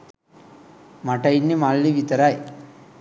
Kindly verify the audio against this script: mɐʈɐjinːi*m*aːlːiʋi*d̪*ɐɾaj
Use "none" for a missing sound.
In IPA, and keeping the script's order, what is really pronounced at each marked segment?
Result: m, t̪

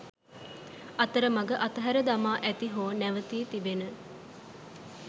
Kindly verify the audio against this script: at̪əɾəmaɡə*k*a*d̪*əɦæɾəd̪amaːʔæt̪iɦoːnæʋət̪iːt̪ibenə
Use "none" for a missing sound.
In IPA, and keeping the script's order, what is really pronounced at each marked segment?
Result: ʔ, t̪

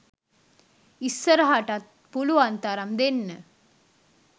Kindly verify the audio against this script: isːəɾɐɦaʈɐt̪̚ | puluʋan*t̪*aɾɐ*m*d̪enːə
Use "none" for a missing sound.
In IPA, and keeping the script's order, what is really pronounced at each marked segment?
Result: t̪, m

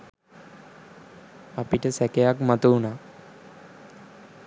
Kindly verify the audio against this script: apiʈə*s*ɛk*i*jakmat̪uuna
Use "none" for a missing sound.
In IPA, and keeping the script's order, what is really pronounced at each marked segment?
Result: s, e

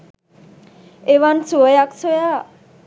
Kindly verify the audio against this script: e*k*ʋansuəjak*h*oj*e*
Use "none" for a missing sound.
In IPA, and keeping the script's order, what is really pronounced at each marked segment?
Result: none, s, a

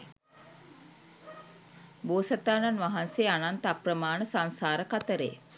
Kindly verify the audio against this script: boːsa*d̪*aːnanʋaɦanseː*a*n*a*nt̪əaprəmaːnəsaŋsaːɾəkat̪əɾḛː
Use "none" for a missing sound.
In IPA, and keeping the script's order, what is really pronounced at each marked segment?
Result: t̪, a, a

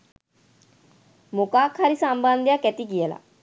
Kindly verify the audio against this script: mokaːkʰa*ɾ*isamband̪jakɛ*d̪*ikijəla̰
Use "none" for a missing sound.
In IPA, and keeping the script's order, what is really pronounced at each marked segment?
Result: ɾ, t̪

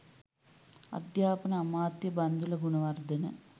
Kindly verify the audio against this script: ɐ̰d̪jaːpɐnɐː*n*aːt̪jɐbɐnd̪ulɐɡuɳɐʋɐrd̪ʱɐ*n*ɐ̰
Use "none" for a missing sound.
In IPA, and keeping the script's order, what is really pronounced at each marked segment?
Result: m, n

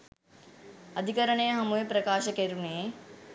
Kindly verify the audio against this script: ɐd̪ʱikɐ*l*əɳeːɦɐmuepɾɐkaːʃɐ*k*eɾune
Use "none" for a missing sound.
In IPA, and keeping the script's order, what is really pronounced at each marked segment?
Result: ɾ, k

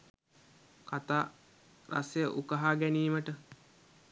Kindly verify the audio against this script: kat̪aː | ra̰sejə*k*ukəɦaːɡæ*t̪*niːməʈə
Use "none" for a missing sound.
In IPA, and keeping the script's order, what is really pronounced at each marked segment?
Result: ʔ, none

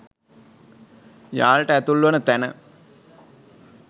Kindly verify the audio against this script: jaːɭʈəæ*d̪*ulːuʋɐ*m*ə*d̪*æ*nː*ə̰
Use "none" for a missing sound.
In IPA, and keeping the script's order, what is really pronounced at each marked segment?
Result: t̪, n, t̪, n

